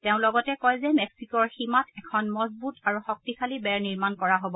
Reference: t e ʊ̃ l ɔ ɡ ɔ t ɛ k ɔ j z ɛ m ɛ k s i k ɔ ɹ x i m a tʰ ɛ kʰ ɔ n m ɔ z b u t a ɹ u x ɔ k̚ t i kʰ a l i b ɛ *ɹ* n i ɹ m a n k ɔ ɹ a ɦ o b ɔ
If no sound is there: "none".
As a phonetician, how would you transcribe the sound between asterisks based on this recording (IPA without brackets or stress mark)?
ɹ